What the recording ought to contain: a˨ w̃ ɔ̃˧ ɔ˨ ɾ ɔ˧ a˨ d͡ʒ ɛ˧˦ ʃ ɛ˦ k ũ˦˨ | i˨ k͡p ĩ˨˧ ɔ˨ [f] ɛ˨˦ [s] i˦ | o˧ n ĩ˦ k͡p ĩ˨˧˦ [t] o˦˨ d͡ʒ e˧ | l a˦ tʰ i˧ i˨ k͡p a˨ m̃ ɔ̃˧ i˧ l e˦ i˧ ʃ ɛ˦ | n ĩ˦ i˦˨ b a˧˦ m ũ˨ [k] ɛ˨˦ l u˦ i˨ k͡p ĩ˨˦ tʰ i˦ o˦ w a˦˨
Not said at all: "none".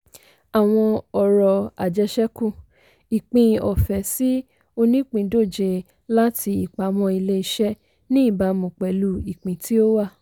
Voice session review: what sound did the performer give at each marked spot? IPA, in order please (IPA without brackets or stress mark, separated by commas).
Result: f, s, d, k͡p